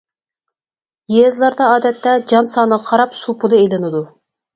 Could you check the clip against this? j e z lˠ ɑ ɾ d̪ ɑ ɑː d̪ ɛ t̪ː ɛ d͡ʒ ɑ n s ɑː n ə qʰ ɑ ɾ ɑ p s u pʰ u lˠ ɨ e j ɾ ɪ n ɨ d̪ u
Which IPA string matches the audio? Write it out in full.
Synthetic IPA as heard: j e z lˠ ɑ ɾ d̪ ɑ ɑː d̪ ɛ t̪ː ɛ d͡ʒ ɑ n s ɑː n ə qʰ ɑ ɾ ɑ p s u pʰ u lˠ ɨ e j l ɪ n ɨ d̪ u

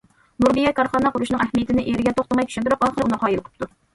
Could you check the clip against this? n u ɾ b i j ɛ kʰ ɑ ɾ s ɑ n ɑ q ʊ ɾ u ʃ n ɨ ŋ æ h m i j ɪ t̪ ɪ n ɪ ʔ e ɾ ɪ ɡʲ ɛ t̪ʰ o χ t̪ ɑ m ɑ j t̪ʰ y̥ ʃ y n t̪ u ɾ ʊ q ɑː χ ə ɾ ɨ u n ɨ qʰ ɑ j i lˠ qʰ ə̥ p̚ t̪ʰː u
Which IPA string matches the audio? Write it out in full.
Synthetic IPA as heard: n u ɾ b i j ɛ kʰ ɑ ɾ χ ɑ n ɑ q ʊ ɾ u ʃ n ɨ ŋ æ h m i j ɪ t̪ ɪ n ɪ ʔ e ɾ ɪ ɡʲ ɛ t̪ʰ o χ t̪ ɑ m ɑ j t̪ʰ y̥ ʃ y n t̪ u ɾ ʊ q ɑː χ ə ɾ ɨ u n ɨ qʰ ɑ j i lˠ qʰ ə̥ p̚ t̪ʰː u

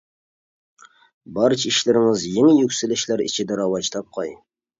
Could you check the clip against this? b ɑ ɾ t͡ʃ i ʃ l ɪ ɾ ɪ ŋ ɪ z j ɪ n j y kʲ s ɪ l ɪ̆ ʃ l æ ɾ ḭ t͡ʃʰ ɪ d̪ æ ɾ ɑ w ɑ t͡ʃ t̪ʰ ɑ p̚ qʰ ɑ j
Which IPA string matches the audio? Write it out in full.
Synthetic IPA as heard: b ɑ ɾ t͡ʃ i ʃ l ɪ ɾ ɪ ŋ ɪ z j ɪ ŋ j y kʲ s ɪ l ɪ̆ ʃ l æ ɾ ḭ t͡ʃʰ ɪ d̪ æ ɾ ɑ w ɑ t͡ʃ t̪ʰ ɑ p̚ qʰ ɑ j

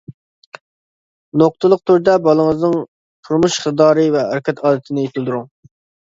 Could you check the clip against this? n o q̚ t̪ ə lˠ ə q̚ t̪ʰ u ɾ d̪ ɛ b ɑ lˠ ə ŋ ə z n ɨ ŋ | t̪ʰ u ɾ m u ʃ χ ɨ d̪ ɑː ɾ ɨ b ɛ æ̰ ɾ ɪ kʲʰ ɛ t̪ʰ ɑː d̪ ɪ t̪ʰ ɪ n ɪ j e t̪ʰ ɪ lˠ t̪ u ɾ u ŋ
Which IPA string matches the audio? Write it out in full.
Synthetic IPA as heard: n o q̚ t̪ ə lˠ ə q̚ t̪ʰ u ɾ d̪ ɛ b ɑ lˠ ə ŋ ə z n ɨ ŋ | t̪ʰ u ɾ m u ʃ χ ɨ d̪ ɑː ɾ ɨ v ɛ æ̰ ɾ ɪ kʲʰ ɛ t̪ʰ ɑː d̪ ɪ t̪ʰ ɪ n ɪ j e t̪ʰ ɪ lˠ d̪ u ɾ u ŋ

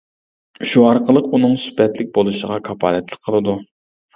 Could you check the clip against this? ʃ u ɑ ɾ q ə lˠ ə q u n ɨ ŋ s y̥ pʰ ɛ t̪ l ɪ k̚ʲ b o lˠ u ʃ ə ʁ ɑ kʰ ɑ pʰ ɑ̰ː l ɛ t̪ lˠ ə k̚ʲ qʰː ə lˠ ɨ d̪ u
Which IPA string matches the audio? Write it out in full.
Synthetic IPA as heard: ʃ u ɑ ɾ q ə lˠ ə q u n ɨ ŋ s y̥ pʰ ɛ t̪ l ɪ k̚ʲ b o lˠ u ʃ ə ʁ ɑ kʰ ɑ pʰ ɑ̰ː l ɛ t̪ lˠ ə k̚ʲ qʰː ə lˠ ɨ d̪ u

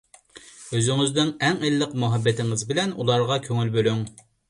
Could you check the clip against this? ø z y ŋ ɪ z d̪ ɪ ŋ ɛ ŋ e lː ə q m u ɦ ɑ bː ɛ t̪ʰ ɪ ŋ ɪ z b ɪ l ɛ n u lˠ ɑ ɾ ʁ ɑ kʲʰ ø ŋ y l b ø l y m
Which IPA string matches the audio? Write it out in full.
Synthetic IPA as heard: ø z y ŋ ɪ z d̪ ɪ ŋ ɛ ŋ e lː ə q m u ɦ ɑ bː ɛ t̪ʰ ɪ ŋ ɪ z b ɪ l ɛ n u lˠ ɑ ɾ ʁ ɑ kʲʰ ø ŋ y l b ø l y ŋ

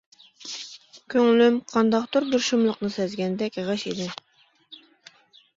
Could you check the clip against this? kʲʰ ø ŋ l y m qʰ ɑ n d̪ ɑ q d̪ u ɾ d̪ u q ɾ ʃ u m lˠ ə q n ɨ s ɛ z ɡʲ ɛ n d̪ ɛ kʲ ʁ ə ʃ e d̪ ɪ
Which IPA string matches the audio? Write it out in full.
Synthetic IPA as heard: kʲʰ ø ŋ l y m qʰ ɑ n d̪ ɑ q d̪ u ɾ d̪ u ɾ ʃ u m lˠ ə q n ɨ s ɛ z ɡʲ ɛ n d̪ ɛ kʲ ʁ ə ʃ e d̪ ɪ

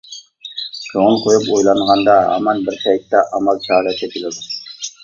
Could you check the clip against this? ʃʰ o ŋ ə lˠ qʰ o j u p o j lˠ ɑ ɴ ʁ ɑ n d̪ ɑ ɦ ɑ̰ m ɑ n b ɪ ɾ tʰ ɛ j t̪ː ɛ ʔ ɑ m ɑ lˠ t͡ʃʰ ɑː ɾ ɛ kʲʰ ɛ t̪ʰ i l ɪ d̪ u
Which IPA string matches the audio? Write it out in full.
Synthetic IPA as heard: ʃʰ o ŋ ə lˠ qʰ o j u p o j lˠ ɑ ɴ ʁ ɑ n d̪ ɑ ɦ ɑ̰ m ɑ n b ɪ ɾ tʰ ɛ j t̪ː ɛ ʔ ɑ m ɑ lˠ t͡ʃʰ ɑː ɾ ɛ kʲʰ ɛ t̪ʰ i l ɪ d̪ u

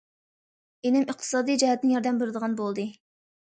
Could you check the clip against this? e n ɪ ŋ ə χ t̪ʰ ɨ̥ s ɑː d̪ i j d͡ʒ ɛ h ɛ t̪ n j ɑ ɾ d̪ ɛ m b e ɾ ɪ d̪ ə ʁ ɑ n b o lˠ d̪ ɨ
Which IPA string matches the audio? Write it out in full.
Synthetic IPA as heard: e n ɪ m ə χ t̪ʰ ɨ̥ s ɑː d̪ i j d͡ʒ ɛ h ɛ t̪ n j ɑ ɾ d̪ ɛ m b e ɾ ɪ d̪ ə ʁ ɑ n b o lˠ d̪ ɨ

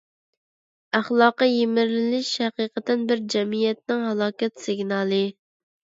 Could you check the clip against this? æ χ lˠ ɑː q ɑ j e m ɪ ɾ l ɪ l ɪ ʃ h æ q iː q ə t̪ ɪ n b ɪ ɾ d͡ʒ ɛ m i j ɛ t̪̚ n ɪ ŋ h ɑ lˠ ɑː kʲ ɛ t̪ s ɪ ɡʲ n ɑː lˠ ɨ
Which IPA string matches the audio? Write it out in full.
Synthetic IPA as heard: æ χ lˠ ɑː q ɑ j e m ɪ ɾ l ɪ l ɪ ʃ h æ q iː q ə t̪ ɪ n b ɪ ɾ d͡ʒ ɛ m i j ɛ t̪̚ n ɪ ŋ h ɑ lˠ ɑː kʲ ɛ t̪ s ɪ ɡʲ n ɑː lˠ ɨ

